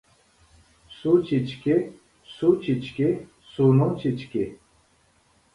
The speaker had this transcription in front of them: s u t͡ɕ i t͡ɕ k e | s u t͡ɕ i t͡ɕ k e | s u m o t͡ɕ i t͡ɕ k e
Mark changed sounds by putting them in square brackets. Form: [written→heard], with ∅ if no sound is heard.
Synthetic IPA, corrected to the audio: s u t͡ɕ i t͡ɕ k e | s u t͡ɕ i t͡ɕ k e | s u [m→n] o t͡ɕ i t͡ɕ k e